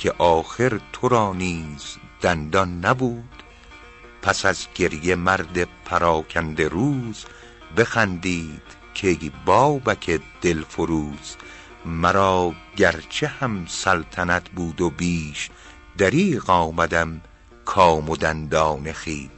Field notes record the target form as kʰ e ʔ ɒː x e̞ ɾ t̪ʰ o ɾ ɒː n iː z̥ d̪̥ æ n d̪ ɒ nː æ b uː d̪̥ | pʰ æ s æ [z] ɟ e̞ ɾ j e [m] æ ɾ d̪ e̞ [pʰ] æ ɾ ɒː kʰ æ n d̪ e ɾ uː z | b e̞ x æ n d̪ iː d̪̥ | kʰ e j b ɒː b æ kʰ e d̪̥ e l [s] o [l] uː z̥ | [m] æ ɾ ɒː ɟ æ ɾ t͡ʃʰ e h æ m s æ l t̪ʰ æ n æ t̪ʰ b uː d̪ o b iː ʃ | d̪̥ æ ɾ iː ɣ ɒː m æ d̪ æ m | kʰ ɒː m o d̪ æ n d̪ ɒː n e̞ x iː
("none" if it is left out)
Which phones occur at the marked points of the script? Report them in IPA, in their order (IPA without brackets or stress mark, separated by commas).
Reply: z, m, pʰ, f, ɾ, m